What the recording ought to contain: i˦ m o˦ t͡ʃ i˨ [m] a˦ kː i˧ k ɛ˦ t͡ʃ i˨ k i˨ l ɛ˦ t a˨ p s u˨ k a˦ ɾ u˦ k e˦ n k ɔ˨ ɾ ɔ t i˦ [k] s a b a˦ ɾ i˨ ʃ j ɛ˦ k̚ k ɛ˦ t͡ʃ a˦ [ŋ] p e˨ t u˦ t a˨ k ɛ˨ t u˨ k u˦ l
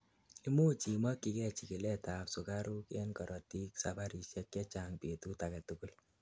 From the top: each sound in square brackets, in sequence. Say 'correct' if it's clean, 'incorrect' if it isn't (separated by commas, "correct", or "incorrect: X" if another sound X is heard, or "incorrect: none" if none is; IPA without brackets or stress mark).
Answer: correct, correct, correct